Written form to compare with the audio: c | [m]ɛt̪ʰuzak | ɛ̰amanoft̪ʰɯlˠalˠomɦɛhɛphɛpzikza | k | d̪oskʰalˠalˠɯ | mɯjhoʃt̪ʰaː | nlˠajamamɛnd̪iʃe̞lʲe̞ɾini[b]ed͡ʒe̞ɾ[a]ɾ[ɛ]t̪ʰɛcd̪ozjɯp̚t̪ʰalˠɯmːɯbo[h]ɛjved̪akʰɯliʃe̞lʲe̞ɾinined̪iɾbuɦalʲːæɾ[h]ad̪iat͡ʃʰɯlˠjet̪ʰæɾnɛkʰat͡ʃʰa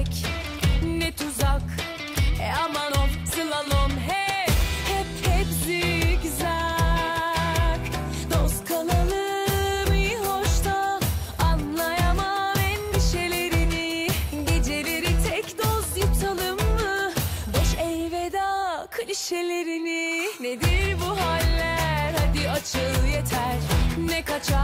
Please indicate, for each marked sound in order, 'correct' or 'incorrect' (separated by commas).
incorrect, incorrect, incorrect, incorrect, incorrect, correct